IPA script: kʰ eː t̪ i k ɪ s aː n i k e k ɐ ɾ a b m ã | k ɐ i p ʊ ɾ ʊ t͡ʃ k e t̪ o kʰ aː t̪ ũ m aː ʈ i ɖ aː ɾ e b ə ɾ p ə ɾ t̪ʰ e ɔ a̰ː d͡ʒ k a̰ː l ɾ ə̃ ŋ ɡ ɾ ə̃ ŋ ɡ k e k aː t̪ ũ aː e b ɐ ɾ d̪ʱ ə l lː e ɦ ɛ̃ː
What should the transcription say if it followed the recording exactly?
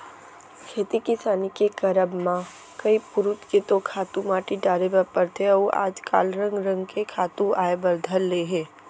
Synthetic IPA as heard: kʰ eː t̪ i k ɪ s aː n i k e k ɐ ɾ ə b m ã | k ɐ i p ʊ ɾ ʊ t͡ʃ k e t̪ o kʰ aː t̪ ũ m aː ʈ i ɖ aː ɾ e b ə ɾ p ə ɾ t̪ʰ e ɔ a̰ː d͡ʒ k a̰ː l ɾ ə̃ ŋ ɡ ɾ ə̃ ŋ ɡ k e kʰ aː t̪ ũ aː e b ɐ ɾ d̪ʱ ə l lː e ɦ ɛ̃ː